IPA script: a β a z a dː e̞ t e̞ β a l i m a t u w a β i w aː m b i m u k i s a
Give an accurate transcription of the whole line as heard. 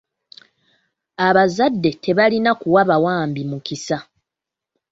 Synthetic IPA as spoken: a β a z a dː e̞ t e̞ β a l i n a k u w a β a w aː m b i m u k i s a